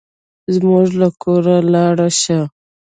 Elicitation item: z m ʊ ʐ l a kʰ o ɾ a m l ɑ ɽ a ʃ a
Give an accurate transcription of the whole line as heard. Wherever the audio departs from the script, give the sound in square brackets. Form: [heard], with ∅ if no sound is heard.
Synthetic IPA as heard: z m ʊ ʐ l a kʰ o ɾ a [∅] l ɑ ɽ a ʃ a